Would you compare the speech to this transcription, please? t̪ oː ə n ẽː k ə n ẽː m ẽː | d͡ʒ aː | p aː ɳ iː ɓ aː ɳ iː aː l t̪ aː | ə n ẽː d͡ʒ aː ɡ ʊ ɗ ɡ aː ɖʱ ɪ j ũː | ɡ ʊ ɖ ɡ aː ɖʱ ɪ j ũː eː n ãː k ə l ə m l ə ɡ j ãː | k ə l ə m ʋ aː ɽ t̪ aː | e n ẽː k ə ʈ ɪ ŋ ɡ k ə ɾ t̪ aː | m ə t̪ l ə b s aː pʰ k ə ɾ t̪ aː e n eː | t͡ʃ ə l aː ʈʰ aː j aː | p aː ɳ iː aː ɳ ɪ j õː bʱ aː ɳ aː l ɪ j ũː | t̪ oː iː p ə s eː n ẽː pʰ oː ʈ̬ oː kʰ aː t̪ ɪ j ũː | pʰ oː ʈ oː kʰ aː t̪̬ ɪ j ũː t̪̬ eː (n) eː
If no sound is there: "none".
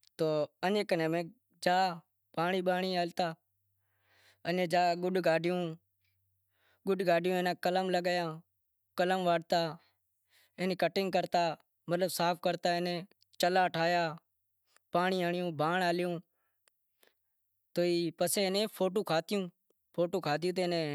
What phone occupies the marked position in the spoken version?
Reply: n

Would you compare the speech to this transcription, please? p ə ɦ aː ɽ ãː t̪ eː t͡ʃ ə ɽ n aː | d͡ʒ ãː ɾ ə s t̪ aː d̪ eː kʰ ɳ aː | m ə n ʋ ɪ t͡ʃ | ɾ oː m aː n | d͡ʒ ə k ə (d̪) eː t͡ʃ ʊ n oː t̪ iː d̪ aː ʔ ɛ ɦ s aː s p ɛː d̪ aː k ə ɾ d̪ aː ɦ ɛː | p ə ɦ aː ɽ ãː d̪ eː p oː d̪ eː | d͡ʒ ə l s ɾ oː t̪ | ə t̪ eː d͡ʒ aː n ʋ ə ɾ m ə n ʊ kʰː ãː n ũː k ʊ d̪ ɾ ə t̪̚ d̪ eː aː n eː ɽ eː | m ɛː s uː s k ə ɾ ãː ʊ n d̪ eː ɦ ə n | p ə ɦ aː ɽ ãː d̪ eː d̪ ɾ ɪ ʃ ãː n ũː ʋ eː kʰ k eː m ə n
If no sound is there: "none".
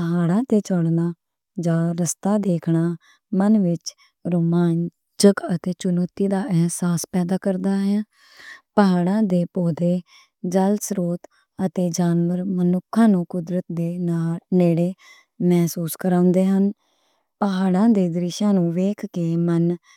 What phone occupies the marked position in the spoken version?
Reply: t̪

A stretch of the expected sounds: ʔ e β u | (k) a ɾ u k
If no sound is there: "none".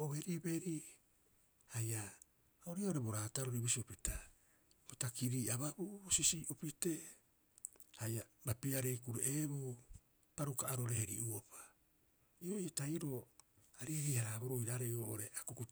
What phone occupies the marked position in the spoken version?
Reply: p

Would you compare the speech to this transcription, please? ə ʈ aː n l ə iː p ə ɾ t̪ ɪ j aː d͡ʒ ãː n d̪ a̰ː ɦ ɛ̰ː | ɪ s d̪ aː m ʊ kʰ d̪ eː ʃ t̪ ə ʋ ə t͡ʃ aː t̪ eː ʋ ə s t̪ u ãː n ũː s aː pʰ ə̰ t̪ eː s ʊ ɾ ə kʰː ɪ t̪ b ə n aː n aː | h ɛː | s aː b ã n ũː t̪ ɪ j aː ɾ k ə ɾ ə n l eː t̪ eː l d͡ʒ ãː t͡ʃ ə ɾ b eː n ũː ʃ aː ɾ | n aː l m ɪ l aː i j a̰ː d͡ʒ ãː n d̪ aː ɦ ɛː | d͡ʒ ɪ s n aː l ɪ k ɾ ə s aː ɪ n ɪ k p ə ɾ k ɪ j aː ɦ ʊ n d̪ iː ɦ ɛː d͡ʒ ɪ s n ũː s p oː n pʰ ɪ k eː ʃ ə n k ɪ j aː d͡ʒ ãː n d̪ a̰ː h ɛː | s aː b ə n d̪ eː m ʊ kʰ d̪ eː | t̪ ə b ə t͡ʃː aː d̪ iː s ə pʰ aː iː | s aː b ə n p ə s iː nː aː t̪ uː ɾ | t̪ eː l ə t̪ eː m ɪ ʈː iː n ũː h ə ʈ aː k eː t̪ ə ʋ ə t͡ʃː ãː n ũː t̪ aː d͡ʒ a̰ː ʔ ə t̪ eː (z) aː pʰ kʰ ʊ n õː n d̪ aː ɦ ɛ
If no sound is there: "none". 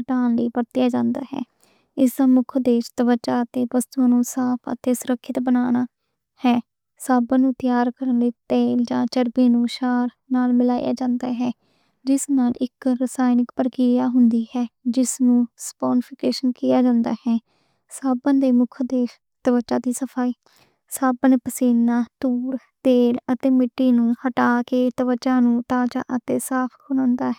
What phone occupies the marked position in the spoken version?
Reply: s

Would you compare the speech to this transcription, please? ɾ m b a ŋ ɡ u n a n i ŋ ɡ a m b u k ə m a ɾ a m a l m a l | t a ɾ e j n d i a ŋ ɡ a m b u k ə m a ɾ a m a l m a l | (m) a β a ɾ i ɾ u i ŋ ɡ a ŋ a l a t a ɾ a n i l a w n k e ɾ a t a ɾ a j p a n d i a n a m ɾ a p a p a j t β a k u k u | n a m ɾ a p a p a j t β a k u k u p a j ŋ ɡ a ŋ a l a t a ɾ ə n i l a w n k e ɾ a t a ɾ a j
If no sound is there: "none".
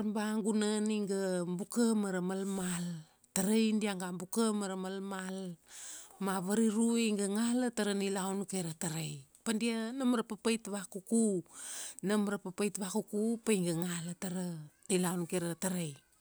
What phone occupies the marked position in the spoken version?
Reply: m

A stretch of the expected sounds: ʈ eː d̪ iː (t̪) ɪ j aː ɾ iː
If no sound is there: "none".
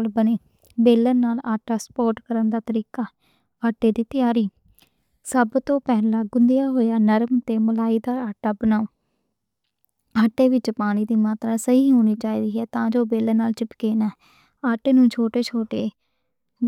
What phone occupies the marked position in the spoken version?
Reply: t̪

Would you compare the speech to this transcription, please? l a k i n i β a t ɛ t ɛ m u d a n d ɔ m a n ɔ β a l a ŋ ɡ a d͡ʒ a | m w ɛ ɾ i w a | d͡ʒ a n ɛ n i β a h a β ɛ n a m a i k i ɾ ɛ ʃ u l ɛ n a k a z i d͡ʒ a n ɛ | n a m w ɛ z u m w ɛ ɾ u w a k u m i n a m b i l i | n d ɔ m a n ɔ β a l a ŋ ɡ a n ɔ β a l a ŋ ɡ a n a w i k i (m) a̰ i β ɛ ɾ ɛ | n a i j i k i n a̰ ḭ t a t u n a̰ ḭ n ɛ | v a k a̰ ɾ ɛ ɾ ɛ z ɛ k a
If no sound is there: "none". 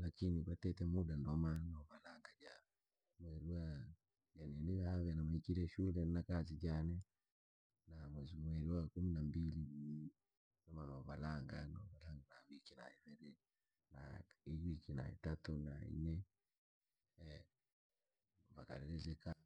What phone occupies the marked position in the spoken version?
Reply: n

